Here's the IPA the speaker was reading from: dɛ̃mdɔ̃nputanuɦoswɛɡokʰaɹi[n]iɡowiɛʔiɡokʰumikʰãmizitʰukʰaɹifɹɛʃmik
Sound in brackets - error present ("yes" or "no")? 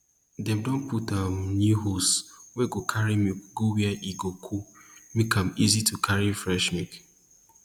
yes